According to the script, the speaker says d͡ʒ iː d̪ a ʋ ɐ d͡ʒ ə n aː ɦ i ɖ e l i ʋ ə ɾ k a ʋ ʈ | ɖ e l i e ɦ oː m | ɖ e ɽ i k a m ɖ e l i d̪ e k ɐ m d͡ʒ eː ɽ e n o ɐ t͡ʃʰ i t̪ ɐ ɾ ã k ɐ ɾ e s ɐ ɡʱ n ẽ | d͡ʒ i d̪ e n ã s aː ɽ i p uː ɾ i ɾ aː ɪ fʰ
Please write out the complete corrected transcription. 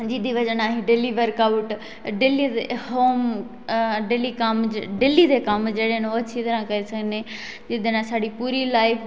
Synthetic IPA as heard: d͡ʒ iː d̪ i ʋ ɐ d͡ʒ ə n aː ɦ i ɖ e l i ʋ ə ɾ k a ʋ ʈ | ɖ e l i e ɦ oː m | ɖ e l i k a m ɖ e l i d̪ e k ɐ m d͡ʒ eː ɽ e n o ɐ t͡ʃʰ i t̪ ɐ ɾ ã k ɐ ɾ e s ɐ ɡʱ n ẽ | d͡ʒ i d̪ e n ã s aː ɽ i p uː ɾ i l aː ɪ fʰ

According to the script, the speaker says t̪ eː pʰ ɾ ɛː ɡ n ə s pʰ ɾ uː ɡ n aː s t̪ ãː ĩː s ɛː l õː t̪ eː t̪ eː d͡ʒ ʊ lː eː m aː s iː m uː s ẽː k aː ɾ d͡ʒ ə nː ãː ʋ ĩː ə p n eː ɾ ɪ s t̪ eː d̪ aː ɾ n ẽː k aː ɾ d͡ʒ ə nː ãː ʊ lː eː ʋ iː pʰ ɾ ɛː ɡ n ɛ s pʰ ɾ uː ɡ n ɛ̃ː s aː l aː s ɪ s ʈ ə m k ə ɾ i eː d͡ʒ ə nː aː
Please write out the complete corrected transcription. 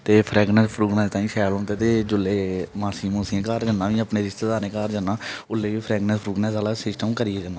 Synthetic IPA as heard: t̪ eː pʰ ɾ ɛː ɡ n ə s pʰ ɾ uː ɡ n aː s t̪ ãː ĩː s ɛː l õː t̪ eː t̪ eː d͡ʒ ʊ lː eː m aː s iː m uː s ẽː k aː ɾ d͡ʒ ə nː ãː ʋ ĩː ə p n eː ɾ ɪ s t̪ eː d̪ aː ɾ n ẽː k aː ɾ d͡ʒ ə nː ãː ʊ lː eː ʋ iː pʰ ɾ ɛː ɡ n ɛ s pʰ ɾ uː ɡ n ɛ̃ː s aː l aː s ɪ s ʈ ə m k ə ɾ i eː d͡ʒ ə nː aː

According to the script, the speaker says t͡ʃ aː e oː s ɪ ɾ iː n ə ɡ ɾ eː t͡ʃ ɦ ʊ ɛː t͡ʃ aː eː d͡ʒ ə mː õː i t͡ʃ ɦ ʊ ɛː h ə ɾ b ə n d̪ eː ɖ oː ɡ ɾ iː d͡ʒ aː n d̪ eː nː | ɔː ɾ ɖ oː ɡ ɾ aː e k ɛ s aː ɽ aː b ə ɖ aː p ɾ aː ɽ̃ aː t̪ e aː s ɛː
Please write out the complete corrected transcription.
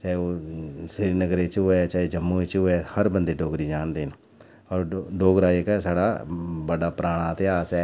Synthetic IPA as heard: t͡ʃ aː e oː s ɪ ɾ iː n ə ɡ ɾ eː t͡ʃ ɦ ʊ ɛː t͡ʃ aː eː d͡ʒ ə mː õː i t͡ʃ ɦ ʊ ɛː h ə ɾ b ə n d̪ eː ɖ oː ɡ ɾ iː d͡ʒ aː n d̪ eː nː | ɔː ɾ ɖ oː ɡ ɾ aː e k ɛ s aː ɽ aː b ə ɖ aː p ɾ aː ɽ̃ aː t̪ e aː s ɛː

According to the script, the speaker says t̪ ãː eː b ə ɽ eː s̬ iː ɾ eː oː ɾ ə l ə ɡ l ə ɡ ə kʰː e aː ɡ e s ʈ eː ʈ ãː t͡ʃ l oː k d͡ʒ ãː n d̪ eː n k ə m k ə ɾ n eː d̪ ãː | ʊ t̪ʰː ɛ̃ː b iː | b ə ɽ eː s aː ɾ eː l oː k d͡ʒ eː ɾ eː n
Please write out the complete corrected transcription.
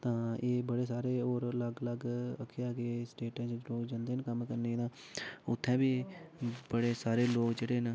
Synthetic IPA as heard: t̪ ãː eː b ə ɽ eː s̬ aː ɾ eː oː ɾ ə l ə ɡ l ə ɡ ə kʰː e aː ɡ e s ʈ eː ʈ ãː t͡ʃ l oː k d͡ʒ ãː n d̪ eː n k ə m k ə ɾ n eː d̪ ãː | ʊ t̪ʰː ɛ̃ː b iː | b ə ɽ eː s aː ɾ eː l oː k d͡ʒ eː ɽ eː n

